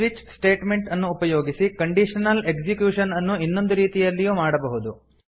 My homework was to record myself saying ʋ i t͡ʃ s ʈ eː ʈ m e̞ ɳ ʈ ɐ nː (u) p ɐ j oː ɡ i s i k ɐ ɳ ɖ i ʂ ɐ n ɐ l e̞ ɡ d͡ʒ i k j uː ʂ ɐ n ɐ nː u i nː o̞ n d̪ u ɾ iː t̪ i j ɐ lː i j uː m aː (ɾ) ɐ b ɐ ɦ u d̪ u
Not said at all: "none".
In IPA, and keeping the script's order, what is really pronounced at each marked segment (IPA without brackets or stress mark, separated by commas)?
uː, ɽ